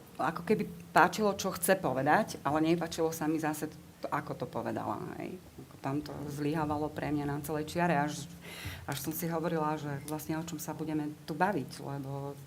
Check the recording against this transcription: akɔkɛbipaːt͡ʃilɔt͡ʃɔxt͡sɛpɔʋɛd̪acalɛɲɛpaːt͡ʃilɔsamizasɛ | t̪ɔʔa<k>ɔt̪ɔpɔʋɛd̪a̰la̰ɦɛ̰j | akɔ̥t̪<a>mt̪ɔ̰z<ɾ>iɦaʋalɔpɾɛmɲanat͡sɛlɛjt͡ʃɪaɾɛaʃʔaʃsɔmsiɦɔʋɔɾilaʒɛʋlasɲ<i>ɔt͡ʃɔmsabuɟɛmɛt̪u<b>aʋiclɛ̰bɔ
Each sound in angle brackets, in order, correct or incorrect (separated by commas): correct, correct, incorrect, incorrect, correct